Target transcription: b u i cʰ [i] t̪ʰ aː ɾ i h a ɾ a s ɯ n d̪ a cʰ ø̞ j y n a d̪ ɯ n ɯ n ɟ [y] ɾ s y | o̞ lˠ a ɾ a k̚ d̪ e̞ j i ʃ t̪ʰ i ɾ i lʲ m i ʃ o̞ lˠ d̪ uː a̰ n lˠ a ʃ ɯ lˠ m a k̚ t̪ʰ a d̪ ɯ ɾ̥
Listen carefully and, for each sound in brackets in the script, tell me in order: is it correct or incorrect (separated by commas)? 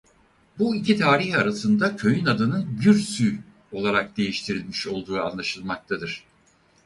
correct, correct